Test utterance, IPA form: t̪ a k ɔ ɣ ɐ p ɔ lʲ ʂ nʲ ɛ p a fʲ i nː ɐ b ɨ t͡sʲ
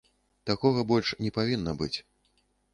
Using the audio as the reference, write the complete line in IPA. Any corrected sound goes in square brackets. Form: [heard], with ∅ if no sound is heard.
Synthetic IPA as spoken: t̪ a k ɔ ɣ ɐ [b] ɔ lʲ ʂ nʲ ɛ p a [vʲ] i nː ɐ b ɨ t͡sʲ